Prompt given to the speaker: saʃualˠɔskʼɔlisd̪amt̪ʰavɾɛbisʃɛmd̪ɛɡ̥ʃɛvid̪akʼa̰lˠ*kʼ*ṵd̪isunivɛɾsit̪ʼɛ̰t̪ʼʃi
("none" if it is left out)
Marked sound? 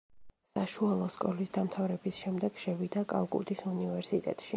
kʼ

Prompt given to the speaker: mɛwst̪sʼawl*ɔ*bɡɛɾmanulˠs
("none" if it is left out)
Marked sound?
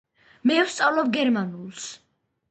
ɔ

